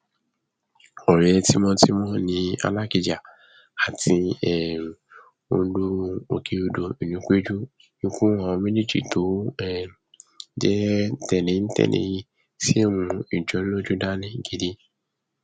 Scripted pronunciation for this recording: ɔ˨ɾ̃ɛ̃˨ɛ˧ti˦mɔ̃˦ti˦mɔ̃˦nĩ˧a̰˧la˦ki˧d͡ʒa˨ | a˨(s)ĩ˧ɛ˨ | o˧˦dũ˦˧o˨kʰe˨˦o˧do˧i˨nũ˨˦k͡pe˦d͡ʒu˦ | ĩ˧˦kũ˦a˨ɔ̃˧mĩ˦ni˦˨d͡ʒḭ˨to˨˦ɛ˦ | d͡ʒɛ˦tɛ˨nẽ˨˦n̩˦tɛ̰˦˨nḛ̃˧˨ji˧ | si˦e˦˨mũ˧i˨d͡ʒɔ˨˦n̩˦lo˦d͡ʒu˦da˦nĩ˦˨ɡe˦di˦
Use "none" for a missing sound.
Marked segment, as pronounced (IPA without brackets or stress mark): t